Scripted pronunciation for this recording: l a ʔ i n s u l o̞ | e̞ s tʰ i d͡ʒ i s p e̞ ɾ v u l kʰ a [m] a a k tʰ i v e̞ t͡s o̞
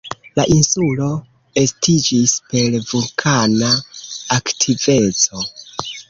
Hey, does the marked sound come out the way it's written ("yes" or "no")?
no